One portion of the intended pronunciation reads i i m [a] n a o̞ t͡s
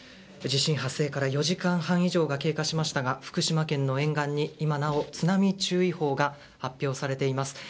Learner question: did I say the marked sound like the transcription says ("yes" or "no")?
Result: yes